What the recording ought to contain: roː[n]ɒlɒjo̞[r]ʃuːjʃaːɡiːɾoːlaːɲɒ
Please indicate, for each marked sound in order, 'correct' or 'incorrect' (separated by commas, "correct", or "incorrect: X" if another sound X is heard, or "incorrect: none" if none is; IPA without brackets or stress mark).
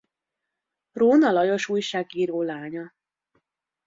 correct, incorrect: none